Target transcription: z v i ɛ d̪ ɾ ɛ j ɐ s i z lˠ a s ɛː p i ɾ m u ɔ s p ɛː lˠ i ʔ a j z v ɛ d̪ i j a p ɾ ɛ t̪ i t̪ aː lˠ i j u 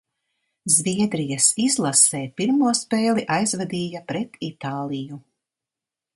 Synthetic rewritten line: z v i ɛ d̪ ɾ i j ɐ s i z lˠ a s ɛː p i ɾ m u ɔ s p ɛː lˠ i ʔ a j z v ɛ d̪ iː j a p ɾ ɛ t̪ i t̪ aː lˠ i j u